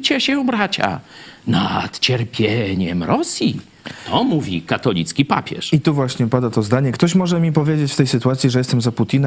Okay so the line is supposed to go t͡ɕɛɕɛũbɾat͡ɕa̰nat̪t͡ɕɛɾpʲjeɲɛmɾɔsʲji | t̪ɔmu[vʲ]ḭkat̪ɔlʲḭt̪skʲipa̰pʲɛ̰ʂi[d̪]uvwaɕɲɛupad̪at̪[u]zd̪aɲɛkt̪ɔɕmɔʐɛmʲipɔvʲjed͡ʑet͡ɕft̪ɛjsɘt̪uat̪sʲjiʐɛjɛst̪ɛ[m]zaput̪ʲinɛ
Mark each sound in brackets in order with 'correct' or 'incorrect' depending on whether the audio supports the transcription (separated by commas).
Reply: correct, incorrect, incorrect, correct